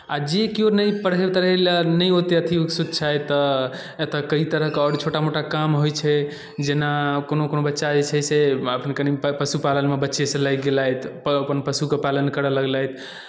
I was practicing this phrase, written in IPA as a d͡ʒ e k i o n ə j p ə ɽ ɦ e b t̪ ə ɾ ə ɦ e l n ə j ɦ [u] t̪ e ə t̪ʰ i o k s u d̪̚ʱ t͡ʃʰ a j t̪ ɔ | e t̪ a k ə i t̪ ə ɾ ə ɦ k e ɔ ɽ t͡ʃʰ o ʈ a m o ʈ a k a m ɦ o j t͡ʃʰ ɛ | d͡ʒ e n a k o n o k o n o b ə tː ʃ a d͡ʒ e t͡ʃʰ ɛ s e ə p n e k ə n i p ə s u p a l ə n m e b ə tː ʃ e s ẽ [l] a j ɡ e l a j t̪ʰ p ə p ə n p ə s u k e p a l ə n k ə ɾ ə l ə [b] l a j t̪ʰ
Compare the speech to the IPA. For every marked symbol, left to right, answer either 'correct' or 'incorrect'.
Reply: incorrect, correct, incorrect

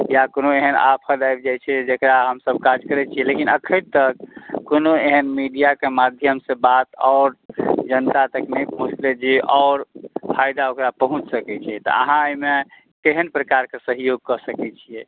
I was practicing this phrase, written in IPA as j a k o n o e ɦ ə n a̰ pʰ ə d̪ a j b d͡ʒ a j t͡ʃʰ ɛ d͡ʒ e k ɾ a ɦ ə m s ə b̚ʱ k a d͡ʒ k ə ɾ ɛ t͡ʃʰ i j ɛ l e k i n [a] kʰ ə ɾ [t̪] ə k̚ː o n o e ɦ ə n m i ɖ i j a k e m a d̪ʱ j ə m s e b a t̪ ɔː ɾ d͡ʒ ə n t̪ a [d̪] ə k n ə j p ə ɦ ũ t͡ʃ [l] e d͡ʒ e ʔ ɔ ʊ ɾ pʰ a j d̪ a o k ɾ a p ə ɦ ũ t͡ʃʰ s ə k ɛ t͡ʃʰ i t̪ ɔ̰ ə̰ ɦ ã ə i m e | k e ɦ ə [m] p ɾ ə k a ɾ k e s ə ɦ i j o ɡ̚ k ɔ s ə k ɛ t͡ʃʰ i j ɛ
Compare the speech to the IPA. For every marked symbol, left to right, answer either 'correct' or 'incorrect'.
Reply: incorrect, correct, incorrect, correct, incorrect

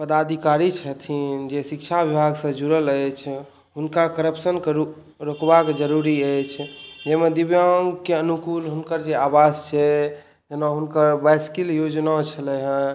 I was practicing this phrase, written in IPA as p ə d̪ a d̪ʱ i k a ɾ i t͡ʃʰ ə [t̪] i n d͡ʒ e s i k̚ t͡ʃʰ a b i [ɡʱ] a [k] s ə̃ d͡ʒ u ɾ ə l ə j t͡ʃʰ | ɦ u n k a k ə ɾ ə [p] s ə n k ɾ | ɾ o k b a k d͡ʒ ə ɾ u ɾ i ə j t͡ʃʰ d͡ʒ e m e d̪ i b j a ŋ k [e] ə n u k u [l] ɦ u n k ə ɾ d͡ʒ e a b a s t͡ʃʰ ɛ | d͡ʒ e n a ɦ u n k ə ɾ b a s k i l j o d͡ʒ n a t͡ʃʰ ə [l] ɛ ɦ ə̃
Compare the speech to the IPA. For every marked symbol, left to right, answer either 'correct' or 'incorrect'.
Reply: incorrect, incorrect, incorrect, correct, correct, correct, correct

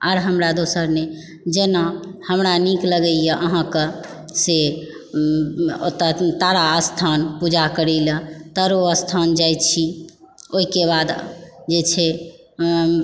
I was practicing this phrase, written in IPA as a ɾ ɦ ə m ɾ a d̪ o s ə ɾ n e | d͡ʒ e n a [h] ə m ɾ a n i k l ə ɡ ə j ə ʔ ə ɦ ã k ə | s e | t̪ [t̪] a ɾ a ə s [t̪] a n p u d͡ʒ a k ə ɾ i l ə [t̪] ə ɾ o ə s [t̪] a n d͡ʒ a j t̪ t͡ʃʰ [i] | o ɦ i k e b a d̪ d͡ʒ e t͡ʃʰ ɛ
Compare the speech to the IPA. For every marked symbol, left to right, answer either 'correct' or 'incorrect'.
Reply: correct, correct, incorrect, correct, incorrect, correct

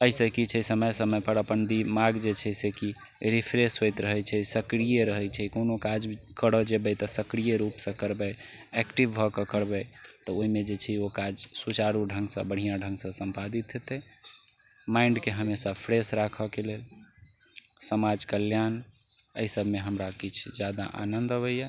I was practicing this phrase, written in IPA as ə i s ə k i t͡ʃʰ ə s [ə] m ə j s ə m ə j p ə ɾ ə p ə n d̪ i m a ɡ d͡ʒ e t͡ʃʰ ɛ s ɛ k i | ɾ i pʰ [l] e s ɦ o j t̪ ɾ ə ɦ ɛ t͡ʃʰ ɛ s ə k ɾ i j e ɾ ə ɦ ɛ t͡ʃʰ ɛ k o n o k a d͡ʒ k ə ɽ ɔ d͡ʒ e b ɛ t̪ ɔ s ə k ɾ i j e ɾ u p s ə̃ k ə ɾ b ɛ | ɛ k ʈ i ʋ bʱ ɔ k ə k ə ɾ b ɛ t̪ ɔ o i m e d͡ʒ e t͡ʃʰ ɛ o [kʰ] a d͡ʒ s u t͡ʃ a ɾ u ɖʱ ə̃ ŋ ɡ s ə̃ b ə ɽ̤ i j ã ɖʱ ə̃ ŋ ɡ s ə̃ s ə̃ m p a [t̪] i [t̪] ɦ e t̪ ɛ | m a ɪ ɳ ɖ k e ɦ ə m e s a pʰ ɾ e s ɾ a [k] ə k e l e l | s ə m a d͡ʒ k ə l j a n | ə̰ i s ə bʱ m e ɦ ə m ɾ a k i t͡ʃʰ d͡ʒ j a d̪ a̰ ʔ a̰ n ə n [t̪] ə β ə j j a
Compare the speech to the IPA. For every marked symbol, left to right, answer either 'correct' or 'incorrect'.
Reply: correct, incorrect, incorrect, incorrect, correct, incorrect, incorrect

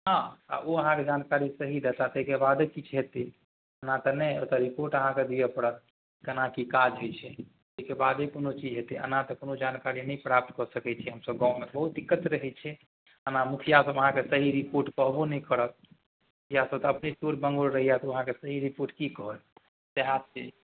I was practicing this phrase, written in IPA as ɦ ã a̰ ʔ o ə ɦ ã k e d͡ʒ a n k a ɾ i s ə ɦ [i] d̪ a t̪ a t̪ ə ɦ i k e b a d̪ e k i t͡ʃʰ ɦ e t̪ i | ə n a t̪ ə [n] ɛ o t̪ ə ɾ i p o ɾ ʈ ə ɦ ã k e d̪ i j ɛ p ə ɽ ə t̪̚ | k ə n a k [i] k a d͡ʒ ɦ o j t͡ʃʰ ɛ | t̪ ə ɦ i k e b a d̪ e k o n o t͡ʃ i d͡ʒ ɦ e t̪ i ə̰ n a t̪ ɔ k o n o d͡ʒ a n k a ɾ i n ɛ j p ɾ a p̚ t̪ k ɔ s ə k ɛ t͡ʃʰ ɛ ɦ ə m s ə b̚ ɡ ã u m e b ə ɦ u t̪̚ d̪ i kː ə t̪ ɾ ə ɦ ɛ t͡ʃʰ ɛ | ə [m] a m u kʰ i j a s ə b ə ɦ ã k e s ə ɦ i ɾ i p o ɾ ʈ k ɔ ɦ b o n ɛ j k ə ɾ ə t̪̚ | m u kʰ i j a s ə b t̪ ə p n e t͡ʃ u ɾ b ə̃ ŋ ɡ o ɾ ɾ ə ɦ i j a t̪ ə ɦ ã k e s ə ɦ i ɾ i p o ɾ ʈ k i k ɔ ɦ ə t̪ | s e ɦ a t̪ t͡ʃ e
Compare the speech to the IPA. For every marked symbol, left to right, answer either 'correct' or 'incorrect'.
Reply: correct, correct, correct, incorrect

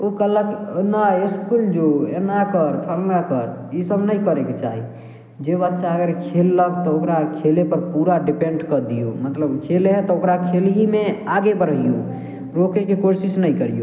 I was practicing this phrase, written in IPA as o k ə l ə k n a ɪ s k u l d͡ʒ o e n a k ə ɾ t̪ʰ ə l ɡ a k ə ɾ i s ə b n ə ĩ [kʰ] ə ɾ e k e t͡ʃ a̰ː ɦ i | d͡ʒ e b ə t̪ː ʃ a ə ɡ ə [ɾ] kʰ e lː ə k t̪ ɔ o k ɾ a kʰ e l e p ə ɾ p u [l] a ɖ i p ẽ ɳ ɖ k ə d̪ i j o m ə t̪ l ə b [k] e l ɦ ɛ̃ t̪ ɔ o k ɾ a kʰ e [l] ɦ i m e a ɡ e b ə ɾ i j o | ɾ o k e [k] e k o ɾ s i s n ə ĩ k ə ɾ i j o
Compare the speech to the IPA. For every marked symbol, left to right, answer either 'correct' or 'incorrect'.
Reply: incorrect, correct, incorrect, incorrect, correct, correct

